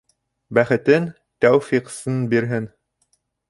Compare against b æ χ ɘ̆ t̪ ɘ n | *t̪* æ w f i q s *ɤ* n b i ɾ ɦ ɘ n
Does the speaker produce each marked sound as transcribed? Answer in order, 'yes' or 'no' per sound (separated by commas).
yes, yes